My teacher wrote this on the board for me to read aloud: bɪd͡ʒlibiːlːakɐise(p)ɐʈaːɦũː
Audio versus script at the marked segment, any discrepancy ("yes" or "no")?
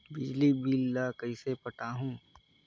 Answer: no